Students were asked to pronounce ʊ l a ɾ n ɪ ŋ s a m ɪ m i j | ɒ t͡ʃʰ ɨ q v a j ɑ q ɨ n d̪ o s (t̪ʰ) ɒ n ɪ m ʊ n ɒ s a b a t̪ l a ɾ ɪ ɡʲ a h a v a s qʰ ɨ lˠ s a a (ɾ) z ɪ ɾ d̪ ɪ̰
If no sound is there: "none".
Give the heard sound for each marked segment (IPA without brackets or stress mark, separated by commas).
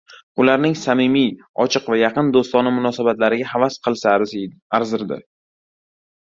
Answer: t̪, ɾ